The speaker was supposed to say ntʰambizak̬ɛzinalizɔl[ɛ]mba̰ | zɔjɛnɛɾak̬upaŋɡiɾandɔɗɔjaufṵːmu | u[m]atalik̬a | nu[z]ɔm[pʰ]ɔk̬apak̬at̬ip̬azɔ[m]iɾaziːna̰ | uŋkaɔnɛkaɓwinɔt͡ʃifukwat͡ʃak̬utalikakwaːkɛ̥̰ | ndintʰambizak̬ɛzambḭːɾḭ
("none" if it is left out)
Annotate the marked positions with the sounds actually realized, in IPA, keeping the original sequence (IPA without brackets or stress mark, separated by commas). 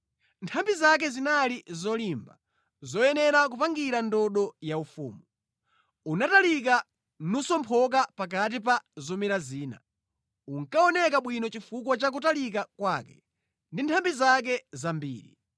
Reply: i, n, s, pʰ, m